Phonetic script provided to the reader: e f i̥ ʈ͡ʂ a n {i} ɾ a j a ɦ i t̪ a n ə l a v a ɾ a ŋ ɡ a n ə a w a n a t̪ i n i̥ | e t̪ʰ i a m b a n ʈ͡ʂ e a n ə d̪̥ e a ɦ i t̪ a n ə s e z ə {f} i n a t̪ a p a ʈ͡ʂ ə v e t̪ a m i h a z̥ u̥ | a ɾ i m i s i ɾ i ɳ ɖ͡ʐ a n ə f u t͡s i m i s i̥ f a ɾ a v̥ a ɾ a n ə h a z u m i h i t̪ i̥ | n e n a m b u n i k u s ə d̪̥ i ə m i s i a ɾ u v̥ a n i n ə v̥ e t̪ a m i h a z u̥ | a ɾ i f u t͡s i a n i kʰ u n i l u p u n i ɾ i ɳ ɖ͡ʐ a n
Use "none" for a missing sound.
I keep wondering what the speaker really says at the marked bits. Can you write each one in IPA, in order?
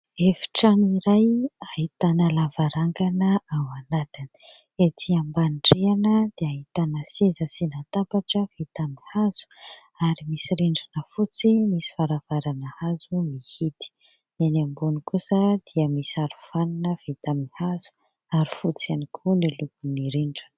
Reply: i, s

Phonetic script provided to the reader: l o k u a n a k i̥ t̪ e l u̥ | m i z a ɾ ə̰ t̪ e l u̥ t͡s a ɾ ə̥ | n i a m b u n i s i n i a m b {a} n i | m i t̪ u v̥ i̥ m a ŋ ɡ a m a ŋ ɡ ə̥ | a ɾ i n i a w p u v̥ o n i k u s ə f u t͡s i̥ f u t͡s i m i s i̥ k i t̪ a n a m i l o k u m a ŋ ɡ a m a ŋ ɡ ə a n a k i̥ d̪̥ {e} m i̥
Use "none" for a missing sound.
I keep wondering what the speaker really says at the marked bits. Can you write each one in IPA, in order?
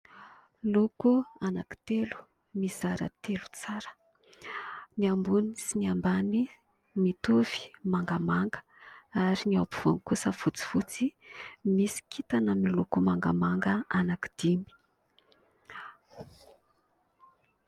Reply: a, i

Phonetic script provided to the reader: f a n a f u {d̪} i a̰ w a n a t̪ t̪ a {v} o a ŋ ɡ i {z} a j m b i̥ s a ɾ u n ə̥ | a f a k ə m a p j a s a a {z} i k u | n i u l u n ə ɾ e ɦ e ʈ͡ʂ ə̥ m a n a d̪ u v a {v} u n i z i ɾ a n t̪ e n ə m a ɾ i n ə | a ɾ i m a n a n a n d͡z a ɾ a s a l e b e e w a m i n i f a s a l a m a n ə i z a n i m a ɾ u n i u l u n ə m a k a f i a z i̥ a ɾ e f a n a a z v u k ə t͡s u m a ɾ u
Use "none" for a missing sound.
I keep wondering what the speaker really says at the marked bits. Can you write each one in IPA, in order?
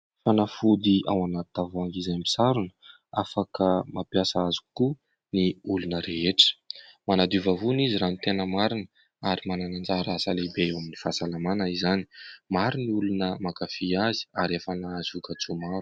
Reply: d̪, v, z, z, v

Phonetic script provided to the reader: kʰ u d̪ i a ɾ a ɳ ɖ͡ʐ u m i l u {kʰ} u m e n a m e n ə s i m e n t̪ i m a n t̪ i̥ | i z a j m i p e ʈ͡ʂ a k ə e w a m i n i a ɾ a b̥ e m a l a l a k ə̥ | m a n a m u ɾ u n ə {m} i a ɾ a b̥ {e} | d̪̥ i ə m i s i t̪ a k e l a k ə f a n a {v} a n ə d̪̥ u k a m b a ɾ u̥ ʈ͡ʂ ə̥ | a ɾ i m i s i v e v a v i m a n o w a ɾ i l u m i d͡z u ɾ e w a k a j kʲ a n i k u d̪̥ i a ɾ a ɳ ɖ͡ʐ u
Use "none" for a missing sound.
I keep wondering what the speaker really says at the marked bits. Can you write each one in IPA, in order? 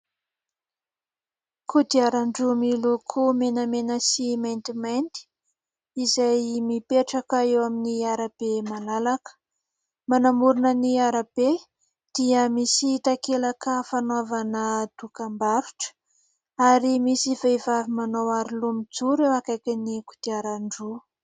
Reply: kʰ, n, e, v

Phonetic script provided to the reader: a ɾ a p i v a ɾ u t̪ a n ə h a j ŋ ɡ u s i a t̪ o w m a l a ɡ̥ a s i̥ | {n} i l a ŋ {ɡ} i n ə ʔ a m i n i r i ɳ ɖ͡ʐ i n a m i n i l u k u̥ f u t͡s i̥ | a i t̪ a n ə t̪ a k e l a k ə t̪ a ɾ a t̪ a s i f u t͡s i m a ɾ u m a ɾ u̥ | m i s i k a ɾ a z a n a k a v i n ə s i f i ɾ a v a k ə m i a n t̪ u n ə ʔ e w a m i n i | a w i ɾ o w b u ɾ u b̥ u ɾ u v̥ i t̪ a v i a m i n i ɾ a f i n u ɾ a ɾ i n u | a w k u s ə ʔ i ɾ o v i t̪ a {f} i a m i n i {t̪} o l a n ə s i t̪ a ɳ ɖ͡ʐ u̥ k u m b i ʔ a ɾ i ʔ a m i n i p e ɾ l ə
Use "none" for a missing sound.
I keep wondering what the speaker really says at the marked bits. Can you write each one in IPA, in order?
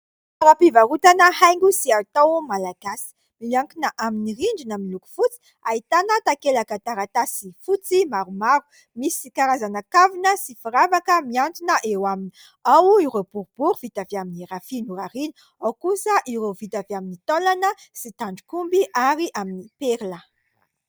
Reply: m, k, v, t̪

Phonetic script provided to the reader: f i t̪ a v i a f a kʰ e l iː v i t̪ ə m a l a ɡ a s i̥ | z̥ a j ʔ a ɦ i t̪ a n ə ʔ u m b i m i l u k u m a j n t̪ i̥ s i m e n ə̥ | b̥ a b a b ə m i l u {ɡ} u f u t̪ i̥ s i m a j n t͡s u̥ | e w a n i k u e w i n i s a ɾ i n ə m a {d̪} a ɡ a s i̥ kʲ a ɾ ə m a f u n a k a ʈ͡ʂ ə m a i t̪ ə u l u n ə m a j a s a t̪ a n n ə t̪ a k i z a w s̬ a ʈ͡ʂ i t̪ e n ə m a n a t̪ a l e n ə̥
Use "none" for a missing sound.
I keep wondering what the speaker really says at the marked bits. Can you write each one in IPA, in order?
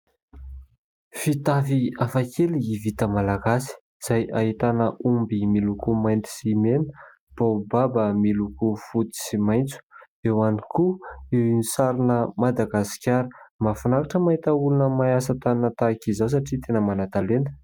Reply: k, d̪

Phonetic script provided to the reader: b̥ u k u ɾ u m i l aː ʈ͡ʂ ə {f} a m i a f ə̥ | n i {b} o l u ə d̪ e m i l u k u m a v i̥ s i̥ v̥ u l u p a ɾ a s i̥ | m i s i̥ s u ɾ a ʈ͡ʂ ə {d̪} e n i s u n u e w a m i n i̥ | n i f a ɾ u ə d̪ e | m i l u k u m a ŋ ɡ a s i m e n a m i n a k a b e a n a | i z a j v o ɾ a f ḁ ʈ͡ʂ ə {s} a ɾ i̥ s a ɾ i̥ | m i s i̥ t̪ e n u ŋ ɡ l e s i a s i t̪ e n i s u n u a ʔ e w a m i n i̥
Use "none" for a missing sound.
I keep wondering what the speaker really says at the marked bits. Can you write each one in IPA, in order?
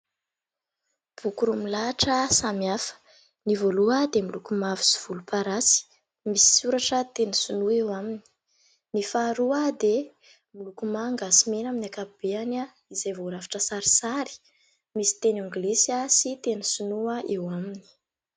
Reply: s, v, t̪, s

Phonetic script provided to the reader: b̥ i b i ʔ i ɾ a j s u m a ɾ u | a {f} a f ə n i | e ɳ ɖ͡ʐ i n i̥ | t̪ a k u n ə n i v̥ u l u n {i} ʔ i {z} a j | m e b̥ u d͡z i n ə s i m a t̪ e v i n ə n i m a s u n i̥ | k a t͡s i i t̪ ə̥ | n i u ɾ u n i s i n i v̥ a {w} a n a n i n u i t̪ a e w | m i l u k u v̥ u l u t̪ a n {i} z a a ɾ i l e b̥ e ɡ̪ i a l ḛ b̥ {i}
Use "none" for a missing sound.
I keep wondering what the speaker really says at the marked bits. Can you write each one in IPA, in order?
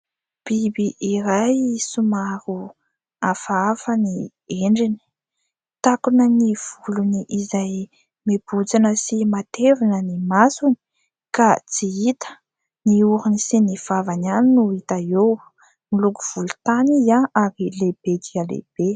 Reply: f, i, z, v, i, e

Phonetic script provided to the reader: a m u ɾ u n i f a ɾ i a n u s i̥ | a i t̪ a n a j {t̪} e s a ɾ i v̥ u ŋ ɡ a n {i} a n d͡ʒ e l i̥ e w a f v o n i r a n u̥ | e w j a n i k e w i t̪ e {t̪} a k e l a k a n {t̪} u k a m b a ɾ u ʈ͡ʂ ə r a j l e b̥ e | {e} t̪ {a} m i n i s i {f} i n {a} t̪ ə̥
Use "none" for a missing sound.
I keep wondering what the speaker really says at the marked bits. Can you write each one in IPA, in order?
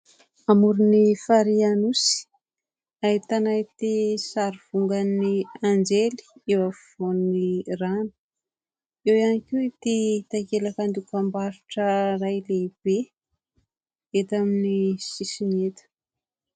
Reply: t̪, i, t̪, d̪, e, a, s, e

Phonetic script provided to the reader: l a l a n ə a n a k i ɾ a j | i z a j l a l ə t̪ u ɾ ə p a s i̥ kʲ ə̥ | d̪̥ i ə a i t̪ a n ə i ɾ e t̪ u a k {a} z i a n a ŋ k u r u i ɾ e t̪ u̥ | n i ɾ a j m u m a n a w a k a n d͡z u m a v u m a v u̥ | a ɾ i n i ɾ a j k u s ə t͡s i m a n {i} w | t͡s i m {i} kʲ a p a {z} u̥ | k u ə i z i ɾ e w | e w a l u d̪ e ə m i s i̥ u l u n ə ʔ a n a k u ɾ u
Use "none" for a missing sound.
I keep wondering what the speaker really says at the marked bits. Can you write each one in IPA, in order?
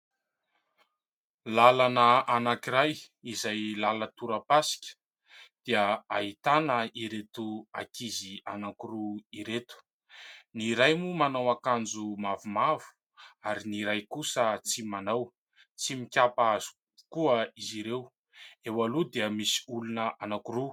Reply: i, a, i, z

